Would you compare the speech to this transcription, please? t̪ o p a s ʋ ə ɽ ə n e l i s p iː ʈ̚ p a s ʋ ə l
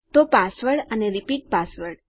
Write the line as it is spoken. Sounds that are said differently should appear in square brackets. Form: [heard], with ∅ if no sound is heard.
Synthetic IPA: t̪ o p a s ʋ ə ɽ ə n e [ɾ] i [∅] p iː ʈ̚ p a s ʋ ə [ɽ]